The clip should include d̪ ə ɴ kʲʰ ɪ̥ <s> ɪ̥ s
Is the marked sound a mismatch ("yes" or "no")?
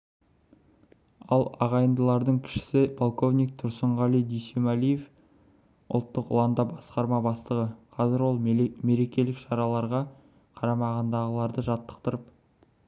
yes